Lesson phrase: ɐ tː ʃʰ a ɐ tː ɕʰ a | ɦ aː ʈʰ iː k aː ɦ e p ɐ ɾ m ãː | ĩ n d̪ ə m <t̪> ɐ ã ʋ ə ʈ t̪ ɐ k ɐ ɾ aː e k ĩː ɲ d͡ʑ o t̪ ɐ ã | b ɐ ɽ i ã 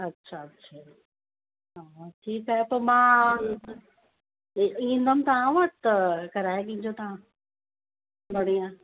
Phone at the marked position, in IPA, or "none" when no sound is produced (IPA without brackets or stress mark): t̪